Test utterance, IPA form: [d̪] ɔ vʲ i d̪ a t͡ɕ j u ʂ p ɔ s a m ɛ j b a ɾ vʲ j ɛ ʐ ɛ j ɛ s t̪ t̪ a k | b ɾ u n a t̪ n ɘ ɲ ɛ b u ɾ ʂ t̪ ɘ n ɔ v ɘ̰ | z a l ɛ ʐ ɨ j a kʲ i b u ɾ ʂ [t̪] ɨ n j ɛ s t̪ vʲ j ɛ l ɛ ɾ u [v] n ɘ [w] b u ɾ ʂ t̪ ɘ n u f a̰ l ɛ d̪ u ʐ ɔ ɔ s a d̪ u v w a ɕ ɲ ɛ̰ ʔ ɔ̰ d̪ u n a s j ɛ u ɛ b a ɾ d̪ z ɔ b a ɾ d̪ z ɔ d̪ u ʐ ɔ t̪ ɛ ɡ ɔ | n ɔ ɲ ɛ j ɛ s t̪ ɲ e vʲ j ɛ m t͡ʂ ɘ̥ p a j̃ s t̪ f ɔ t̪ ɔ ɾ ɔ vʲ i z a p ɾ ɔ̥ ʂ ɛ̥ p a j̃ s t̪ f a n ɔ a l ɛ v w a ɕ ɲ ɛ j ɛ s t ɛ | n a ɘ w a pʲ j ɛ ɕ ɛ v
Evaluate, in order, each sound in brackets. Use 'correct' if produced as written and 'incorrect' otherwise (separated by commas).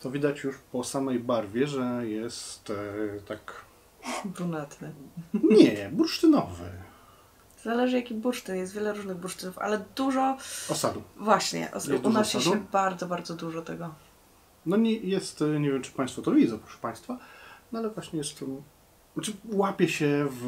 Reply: incorrect, correct, incorrect, incorrect